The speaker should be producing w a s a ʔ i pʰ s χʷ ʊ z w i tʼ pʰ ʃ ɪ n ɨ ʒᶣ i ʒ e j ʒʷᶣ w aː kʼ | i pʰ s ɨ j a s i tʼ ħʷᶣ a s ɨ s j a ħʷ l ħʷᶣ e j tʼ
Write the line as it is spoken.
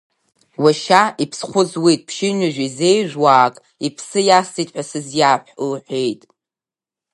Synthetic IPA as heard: w a ʃ a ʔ i pʰ s χʷ ʊ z w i tʼ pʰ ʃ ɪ n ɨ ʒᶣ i z e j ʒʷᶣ w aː kʼ | i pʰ s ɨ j a s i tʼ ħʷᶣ a s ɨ z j a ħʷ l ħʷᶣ e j tʼ